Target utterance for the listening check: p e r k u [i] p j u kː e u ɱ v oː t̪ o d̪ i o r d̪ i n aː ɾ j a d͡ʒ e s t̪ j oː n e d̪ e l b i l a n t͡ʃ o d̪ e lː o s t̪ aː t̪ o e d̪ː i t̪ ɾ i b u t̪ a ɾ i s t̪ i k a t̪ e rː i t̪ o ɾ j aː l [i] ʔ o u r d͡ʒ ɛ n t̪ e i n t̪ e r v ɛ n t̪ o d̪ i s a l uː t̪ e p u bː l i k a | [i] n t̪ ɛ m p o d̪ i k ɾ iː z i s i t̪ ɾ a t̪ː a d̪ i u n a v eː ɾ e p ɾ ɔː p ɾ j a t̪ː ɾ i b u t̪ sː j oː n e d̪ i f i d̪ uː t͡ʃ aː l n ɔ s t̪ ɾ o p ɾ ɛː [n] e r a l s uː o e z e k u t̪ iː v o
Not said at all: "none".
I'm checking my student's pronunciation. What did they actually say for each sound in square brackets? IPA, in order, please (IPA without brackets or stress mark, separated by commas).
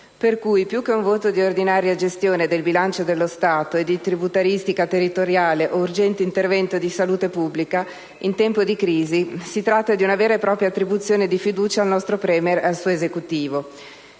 j, e, i, m